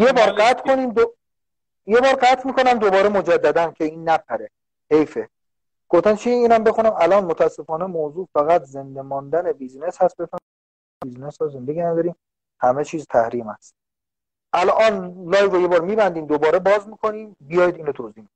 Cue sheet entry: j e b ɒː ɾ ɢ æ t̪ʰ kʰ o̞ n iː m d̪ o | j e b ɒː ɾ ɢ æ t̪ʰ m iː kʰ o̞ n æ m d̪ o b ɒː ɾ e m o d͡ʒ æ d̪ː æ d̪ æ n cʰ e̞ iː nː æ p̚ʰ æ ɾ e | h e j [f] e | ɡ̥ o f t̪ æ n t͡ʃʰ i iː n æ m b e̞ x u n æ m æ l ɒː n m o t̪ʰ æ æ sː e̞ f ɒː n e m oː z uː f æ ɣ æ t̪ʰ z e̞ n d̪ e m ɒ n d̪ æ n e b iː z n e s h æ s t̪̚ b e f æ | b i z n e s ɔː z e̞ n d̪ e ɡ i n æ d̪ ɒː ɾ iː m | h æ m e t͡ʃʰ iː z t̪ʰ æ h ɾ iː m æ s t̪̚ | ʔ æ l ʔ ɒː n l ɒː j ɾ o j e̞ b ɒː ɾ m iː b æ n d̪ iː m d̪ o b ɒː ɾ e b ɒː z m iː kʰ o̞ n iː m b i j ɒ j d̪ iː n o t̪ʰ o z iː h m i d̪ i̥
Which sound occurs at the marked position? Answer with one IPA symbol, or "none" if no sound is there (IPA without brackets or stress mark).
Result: f